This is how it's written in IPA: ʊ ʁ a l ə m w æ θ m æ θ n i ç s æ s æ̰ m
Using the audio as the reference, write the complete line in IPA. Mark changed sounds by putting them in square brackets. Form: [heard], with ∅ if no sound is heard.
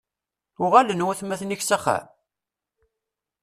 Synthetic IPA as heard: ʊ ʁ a l ə [n] w æ θ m æ θ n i ç s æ [χ] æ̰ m